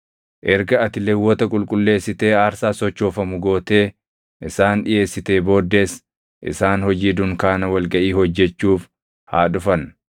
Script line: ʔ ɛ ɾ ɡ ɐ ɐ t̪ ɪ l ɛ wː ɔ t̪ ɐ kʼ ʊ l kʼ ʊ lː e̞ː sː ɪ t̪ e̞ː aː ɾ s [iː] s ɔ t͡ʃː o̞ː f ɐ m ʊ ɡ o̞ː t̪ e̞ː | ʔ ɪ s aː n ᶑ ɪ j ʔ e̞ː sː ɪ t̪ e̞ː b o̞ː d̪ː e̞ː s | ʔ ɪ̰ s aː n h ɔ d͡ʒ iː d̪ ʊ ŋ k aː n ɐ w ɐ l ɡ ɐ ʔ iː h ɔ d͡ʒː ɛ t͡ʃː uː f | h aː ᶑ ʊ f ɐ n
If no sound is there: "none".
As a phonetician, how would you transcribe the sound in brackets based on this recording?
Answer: aː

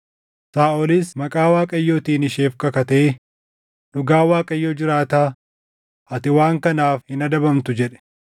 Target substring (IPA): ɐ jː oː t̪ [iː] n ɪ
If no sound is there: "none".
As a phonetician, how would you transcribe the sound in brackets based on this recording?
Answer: iː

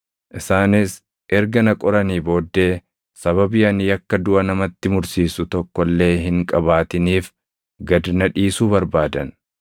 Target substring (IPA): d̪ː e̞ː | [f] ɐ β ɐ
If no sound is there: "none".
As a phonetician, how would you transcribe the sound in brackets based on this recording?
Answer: s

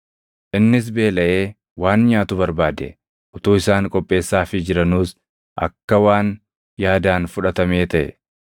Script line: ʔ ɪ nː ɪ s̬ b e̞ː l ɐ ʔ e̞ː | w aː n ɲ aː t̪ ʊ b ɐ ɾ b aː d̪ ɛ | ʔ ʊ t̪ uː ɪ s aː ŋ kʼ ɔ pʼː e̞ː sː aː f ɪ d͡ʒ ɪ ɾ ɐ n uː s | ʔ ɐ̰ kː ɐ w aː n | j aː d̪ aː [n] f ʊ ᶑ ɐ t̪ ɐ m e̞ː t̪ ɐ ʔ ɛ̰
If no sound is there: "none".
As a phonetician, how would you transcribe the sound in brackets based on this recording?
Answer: n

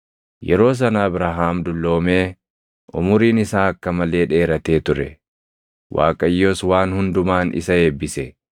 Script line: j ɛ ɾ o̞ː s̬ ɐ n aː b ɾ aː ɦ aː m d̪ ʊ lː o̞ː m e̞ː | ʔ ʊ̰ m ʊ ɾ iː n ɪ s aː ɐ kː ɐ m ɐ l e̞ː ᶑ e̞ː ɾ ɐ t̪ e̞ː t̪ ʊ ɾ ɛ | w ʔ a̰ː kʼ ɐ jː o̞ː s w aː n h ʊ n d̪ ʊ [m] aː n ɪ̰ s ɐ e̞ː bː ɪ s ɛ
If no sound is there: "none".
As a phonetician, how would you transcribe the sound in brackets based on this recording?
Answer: m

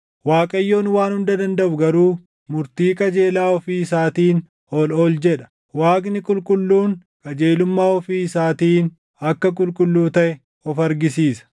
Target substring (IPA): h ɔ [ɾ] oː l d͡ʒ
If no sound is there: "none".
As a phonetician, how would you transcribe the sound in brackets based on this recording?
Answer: l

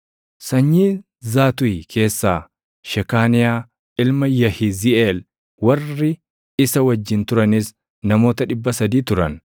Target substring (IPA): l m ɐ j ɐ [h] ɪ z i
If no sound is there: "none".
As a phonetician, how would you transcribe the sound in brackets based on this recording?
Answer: h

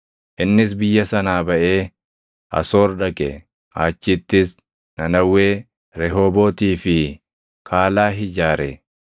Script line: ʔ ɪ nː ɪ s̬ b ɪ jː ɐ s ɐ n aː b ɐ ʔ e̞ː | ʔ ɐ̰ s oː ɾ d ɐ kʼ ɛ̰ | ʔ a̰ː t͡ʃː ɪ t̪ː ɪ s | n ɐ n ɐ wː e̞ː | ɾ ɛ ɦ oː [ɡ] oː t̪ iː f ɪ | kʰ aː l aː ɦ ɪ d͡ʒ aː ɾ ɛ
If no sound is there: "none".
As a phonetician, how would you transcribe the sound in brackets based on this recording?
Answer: b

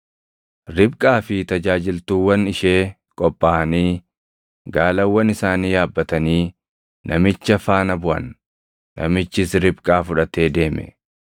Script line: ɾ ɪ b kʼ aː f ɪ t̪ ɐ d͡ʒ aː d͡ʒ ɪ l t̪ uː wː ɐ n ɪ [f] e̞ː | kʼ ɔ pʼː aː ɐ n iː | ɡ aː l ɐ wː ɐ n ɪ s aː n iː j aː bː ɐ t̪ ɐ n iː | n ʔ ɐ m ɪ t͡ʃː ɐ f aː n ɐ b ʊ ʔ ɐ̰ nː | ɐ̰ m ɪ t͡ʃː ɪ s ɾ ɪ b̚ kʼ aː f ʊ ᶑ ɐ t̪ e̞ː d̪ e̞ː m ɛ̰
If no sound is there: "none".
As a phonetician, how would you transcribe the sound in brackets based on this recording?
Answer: ʃ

